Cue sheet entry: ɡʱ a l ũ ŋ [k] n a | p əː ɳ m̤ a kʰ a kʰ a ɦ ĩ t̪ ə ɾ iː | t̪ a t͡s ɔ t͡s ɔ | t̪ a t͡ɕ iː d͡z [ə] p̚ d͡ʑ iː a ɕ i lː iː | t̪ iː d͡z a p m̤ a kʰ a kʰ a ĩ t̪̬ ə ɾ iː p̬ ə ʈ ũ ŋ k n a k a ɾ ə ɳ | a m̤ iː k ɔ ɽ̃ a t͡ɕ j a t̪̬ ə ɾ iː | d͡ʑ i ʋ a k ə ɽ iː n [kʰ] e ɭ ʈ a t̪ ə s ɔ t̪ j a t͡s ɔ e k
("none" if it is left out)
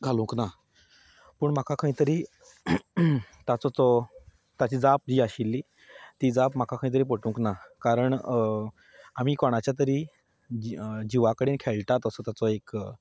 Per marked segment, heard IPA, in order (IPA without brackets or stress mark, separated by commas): k, a, kʰ